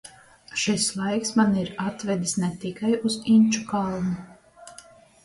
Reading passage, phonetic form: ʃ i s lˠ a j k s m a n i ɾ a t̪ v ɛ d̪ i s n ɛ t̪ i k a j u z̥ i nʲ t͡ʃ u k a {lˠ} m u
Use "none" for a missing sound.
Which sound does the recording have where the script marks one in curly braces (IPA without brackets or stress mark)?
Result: lˠ